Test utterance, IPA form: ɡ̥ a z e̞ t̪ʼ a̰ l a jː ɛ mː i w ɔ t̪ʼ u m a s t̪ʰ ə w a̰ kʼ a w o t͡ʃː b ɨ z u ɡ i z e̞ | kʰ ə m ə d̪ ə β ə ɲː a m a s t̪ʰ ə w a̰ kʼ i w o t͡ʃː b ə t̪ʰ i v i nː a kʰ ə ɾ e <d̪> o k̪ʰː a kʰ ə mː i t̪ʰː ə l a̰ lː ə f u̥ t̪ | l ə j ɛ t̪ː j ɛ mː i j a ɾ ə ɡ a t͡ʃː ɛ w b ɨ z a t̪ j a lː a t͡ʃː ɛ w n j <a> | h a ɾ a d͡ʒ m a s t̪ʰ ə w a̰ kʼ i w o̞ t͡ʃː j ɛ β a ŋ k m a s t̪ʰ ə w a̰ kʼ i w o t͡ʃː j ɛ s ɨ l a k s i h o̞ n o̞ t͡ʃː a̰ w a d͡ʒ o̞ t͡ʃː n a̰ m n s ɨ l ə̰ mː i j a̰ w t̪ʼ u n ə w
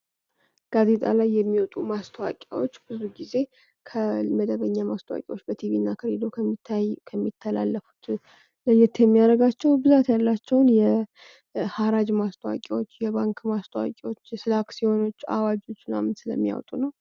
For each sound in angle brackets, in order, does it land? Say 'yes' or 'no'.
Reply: yes, no

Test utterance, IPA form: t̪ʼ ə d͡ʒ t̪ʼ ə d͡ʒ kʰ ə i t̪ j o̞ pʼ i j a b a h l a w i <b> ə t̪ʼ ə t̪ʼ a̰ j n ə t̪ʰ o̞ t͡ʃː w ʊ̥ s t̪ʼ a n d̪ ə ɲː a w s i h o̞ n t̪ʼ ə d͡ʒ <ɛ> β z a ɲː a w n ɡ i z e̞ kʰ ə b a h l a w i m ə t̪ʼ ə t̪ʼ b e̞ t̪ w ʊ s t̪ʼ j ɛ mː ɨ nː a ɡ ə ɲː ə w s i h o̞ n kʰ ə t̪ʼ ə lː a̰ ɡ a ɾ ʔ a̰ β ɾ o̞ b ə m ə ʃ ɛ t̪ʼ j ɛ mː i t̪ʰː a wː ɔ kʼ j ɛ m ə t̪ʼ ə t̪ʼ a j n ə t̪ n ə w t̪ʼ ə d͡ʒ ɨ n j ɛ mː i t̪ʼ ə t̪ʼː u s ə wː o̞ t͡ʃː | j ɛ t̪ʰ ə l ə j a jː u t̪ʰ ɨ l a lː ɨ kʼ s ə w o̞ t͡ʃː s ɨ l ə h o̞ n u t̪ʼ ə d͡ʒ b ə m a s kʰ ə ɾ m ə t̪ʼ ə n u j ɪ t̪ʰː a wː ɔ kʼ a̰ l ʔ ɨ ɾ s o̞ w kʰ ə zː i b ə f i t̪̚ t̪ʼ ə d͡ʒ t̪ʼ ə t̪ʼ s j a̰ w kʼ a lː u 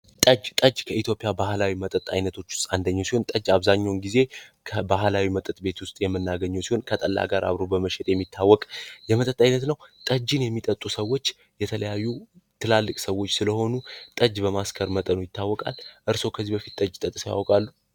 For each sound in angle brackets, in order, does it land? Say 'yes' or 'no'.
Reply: no, no

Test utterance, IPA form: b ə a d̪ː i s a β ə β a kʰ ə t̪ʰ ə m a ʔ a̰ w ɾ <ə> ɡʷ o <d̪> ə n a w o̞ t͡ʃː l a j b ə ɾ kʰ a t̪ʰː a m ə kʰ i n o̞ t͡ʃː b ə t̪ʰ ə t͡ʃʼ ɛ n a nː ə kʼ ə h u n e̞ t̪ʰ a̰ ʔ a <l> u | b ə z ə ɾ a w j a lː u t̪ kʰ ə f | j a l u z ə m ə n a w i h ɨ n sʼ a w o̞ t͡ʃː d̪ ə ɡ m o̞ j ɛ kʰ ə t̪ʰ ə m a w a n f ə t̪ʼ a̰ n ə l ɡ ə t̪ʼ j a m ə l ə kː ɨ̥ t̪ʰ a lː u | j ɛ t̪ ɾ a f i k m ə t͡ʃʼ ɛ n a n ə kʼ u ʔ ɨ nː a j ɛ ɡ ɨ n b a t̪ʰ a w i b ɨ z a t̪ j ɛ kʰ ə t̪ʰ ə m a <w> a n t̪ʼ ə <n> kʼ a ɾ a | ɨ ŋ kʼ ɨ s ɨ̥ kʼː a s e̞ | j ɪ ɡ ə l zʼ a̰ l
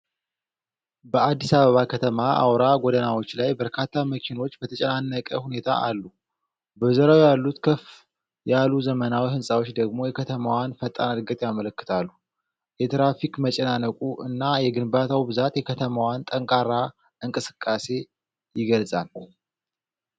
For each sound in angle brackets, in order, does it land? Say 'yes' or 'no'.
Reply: no, yes, no, yes, no

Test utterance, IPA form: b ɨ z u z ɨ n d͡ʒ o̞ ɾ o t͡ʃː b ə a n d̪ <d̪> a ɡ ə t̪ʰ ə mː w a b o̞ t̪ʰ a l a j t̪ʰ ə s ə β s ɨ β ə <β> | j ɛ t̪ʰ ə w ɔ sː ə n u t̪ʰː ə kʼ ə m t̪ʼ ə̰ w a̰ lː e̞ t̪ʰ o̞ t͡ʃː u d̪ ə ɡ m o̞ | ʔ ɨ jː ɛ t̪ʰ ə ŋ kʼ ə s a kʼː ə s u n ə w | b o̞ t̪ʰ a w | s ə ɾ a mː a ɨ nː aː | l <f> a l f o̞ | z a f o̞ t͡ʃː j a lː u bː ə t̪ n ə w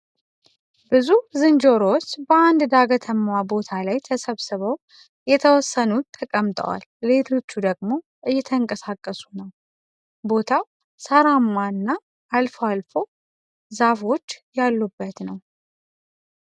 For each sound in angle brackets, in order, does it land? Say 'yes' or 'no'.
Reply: yes, no, yes

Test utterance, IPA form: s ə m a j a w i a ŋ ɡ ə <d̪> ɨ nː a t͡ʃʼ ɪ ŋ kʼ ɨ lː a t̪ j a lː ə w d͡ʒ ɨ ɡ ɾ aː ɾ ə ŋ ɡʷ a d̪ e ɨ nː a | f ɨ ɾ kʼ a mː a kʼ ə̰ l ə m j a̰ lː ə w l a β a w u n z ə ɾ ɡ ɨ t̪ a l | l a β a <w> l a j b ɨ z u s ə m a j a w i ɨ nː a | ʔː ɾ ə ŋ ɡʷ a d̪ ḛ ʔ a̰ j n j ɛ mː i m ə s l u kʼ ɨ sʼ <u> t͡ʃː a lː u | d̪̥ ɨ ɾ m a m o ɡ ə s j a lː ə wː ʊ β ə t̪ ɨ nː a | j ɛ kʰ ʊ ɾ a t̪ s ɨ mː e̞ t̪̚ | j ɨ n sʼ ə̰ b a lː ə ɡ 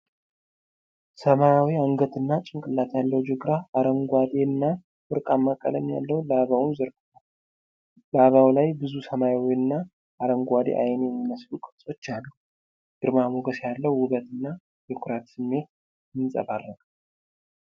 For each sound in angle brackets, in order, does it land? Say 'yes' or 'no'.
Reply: no, yes, no

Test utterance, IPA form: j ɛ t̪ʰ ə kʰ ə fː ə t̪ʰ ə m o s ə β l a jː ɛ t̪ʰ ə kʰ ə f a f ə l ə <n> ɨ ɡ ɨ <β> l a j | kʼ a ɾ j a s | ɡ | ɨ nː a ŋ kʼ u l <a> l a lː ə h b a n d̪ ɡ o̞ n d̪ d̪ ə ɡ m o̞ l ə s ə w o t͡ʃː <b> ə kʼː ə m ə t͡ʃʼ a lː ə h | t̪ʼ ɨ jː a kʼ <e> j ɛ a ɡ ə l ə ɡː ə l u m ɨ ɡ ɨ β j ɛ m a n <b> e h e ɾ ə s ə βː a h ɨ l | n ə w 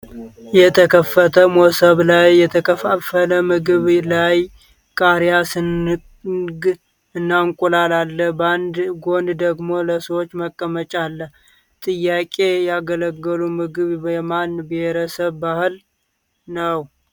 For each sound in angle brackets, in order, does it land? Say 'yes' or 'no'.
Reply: no, yes, yes, no, yes, yes

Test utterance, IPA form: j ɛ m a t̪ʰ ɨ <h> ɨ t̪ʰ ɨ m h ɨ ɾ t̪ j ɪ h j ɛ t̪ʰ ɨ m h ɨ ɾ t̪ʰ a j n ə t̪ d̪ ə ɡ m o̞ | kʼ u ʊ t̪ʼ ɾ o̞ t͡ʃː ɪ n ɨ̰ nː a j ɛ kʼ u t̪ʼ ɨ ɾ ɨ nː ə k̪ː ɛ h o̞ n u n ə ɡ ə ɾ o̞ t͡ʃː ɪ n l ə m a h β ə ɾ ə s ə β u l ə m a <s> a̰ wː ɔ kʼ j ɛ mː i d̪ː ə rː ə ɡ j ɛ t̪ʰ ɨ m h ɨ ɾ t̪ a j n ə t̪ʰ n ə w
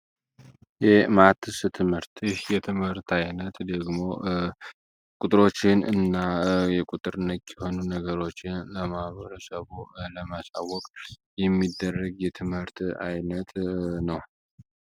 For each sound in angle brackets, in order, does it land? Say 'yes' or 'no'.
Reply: no, yes

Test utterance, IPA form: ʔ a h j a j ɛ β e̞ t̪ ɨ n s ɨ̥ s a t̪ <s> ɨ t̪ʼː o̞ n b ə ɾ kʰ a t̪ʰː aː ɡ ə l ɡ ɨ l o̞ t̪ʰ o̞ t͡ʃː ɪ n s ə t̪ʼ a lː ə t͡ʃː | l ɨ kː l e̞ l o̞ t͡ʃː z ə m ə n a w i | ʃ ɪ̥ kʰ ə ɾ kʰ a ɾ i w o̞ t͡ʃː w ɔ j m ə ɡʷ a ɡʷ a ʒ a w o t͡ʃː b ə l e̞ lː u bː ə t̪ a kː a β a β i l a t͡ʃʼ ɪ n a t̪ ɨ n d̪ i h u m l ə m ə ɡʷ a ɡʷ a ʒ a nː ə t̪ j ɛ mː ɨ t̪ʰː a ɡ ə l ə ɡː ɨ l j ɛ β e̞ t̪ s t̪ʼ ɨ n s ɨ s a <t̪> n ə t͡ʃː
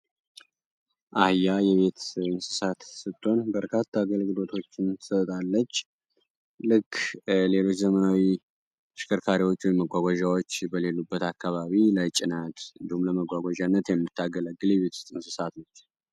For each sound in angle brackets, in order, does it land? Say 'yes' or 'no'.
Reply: yes, yes

